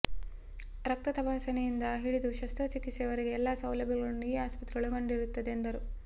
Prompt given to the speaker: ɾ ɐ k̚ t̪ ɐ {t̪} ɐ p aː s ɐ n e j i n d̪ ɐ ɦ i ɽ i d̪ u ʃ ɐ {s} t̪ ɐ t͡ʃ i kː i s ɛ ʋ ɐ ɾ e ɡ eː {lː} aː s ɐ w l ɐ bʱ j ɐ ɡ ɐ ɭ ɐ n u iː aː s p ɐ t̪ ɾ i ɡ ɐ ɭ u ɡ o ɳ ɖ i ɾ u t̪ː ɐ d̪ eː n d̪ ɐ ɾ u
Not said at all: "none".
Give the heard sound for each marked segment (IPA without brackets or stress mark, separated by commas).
t̪, s, lː